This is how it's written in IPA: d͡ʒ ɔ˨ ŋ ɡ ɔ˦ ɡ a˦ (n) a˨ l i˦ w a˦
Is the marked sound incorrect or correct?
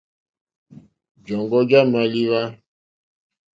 incorrect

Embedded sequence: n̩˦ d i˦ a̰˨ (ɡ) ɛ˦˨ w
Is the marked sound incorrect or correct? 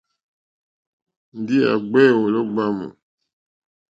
incorrect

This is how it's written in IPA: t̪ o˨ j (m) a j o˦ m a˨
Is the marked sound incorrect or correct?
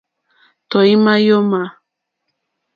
correct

